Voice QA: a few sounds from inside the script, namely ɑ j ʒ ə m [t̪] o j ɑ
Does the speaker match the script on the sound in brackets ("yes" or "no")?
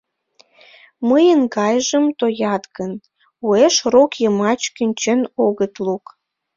yes